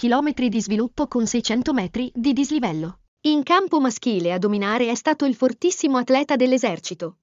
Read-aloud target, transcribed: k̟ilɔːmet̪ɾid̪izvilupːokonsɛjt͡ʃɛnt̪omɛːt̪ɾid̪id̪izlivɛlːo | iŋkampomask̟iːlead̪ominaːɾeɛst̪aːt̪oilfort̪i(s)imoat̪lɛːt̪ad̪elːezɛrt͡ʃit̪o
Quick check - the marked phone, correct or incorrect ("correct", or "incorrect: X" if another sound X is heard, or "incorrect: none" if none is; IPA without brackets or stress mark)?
incorrect: sː